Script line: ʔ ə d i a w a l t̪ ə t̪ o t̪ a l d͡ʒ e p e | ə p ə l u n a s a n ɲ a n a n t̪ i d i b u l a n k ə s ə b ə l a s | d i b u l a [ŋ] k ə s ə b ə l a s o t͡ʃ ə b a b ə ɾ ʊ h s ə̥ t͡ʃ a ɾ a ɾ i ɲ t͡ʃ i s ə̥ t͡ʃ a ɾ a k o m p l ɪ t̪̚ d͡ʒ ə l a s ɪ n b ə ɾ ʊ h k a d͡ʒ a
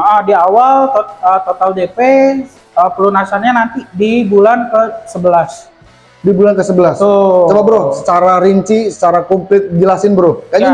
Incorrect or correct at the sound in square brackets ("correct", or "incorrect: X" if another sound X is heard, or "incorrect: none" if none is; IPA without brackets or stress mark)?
incorrect: n